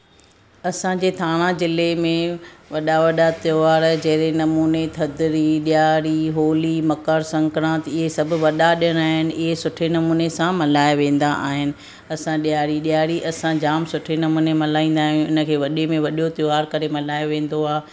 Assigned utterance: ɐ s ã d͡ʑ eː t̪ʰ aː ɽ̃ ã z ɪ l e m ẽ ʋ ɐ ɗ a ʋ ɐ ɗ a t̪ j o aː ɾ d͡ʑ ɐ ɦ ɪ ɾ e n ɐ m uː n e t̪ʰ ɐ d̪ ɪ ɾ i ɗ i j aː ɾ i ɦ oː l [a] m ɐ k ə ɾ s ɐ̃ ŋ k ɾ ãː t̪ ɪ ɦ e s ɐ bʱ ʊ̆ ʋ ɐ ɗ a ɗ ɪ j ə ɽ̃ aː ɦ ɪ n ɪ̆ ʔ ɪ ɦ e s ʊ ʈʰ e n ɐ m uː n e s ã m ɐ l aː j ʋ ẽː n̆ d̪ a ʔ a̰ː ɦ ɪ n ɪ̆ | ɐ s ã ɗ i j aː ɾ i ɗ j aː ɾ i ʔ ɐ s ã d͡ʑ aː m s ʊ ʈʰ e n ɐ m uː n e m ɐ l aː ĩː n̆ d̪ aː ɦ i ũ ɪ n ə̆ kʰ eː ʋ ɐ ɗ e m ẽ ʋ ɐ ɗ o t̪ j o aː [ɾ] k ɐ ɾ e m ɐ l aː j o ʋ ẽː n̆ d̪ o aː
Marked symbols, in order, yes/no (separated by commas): no, yes